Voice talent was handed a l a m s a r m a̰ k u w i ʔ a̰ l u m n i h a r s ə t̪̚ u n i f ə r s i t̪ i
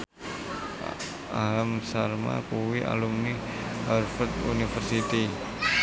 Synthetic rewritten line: a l a m s a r m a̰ k u w i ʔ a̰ l u m n i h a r f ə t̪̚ u n i f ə r s i t̪ i